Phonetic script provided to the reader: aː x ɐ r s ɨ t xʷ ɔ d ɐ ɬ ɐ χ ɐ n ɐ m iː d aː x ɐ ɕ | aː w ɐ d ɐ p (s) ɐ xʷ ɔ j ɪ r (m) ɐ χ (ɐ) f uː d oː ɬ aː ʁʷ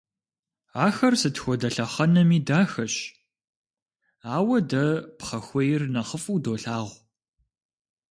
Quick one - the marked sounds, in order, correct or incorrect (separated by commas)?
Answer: incorrect, incorrect, incorrect